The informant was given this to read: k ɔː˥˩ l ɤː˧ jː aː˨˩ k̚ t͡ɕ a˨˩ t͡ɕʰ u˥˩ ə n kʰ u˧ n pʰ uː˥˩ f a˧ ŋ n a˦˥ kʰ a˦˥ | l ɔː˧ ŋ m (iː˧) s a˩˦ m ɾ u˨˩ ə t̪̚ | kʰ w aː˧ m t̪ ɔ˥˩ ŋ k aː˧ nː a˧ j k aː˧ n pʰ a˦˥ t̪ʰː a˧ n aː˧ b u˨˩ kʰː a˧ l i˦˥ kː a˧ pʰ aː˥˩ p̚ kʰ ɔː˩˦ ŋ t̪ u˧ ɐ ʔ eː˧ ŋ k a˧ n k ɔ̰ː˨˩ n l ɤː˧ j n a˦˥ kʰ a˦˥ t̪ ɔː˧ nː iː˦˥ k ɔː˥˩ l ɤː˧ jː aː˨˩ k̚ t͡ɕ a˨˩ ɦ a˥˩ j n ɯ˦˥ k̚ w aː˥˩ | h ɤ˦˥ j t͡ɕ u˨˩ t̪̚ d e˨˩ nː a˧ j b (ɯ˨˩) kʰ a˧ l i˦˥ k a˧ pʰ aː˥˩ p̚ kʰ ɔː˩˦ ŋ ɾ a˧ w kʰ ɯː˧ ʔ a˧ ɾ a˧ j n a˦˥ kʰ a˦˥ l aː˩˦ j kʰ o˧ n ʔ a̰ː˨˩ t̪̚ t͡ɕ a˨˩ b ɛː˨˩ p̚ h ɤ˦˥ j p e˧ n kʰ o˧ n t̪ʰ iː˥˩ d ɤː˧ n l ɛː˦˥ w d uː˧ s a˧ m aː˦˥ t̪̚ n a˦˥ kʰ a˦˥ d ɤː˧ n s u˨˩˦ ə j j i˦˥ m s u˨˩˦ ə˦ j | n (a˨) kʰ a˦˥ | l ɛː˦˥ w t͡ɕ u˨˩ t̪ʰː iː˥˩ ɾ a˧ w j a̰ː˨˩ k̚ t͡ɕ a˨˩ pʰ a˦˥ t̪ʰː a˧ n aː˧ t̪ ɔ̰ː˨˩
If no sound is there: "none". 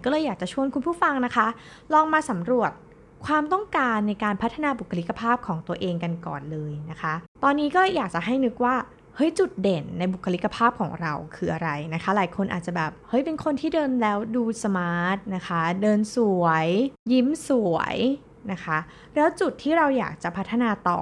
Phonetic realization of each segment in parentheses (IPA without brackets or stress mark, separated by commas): aː˧, u˨˩, a˦˥